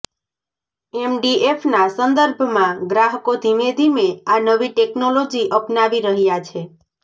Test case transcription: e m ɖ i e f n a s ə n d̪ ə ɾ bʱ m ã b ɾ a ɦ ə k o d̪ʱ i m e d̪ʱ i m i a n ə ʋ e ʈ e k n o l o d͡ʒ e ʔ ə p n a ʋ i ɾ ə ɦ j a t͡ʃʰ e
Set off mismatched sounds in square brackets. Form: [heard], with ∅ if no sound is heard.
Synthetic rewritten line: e m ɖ i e f n a s ə n d̪ ə ɾ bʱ m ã [ɡ] ɾ a ɦ ə k o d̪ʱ i m e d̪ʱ i m [e] a n ə ʋ [i] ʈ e k n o l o d͡ʒ [i] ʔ ə p n a ʋ i ɾ ə ɦ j a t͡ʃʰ e